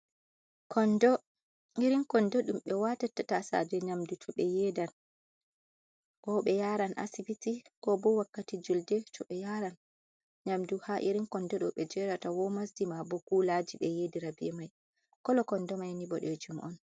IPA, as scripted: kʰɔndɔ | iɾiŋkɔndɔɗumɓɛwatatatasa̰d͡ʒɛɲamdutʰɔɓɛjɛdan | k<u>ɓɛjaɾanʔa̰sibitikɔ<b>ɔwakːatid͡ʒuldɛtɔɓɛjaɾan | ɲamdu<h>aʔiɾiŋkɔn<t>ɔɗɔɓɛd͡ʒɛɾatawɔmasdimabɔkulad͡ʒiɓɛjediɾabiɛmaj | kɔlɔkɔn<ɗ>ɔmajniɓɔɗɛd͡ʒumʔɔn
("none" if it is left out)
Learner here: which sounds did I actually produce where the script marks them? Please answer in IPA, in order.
ɔ, b, h, d, d

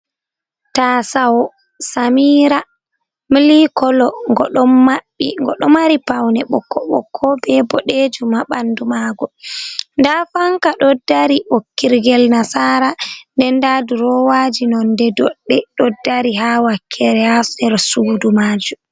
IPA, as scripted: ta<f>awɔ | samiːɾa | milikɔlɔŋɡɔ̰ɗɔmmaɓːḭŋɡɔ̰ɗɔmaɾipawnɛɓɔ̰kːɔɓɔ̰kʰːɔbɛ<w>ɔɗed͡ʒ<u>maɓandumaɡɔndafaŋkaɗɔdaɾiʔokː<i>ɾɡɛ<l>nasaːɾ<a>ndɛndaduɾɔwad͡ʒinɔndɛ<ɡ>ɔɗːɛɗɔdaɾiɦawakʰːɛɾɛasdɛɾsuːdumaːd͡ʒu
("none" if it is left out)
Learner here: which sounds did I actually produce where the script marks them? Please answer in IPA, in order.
s, b, u, i, l, a, d

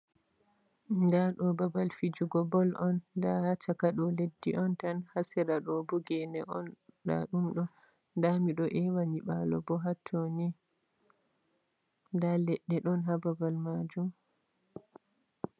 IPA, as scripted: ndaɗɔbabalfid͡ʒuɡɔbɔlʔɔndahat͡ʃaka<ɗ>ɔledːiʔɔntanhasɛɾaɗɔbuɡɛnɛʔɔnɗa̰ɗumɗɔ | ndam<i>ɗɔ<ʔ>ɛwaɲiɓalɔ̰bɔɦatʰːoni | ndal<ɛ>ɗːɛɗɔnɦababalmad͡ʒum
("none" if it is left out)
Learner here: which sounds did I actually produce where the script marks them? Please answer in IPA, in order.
ɗ, i, ʔ, ɛ

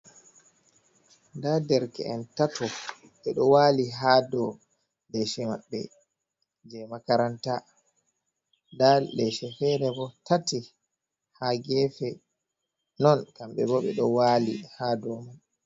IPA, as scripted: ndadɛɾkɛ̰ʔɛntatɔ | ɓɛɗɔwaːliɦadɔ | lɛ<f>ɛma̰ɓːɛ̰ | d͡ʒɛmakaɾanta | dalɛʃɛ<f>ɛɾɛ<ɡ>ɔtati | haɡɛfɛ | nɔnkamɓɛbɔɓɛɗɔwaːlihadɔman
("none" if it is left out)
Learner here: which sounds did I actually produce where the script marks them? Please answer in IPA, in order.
ʃ, f, b

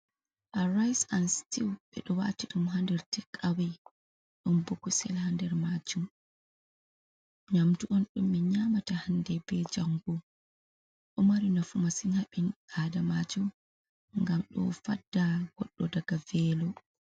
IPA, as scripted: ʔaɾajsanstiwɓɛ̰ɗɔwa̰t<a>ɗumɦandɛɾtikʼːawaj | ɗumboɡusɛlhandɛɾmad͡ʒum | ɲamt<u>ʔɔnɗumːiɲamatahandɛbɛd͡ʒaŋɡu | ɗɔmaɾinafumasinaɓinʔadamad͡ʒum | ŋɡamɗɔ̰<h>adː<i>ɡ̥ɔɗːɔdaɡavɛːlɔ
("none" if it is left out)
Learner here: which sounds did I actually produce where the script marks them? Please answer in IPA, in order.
i, u, f, a

